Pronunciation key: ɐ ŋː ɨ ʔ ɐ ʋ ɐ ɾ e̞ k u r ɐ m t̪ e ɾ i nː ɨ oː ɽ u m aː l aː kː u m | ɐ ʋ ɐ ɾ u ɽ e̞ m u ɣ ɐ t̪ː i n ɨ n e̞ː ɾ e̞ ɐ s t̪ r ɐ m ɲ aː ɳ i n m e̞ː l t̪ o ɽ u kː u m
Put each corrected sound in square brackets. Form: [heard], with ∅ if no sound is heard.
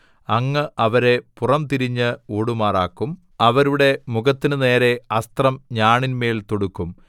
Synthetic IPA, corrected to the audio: ɐ ŋː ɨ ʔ ɐ ʋ ɐ ɾ e̞ [p] u r ɐ m t̪ [i] ɾ i [ɲː] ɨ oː ɽ u m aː [r] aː kː u m | ɐ ʋ ɐ ɾ u ɽ e̞ m u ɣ ɐ t̪ː i n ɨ n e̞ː ɾ e̞ ɐ s t̪ r ɐ m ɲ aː ɳ i n m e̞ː l t̪ o ɽ u kː u m